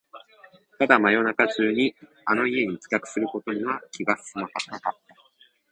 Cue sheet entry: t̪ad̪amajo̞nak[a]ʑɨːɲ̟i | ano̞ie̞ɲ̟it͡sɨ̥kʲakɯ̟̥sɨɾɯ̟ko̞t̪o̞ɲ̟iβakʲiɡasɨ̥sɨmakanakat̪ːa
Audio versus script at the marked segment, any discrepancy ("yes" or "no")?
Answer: no